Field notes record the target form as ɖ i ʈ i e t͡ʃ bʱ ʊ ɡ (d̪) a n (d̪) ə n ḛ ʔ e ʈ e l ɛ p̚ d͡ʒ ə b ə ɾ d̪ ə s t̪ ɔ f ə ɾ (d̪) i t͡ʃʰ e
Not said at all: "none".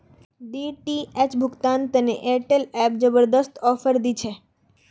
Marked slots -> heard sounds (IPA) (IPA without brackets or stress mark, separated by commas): t̪, t̪, d̪